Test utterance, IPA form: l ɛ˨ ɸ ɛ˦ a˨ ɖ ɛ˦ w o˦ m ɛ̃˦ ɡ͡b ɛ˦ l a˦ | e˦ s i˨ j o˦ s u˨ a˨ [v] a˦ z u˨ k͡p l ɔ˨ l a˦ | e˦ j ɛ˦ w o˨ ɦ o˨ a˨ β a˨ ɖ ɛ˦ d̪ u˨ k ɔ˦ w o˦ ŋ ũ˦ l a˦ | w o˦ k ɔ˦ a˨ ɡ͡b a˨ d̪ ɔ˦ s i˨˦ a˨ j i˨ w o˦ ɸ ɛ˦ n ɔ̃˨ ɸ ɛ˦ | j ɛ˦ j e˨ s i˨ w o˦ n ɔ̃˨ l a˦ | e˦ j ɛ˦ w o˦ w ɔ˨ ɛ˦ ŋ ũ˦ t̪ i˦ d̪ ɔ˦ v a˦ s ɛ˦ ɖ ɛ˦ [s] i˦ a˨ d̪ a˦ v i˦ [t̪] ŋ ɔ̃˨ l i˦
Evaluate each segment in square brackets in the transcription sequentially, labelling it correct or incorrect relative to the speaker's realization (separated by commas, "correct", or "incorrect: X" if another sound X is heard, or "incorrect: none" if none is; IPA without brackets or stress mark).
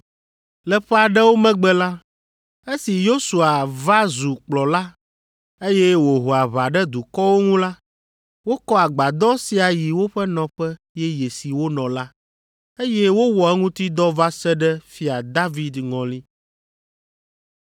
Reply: correct, incorrect: f, incorrect: d̪